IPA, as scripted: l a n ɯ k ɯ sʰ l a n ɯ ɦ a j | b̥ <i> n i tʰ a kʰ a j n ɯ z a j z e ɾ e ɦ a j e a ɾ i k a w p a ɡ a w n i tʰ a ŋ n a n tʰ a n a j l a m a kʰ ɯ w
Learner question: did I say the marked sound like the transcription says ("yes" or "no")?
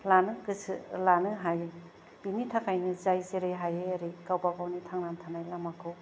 yes